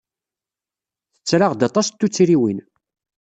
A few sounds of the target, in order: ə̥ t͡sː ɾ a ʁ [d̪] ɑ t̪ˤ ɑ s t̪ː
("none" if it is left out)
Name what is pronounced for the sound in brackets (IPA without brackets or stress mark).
d̪